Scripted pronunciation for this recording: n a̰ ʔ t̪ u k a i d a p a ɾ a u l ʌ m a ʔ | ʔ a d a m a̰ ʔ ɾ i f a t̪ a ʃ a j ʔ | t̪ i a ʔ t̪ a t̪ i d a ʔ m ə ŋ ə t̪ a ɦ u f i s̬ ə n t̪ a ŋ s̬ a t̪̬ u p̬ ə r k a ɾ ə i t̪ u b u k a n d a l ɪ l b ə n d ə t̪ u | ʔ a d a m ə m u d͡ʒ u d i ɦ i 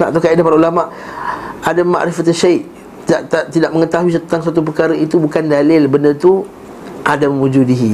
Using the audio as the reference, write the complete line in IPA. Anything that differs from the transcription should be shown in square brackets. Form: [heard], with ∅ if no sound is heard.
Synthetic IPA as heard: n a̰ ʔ t̪ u k a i d a p a ɾ a u l [a] m a ʔ | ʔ a d a m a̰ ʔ ɾ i f a t̪ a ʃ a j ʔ | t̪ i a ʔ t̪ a t̪ i d a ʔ m ə ŋ ə t̪ a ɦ u [∅] i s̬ ə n t̪ a ŋ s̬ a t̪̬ u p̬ ə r k a ɾ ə i t̪ u b u k a n d a l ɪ l b ə n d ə t̪ u | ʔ a d a m ə m u d͡ʒ u d i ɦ i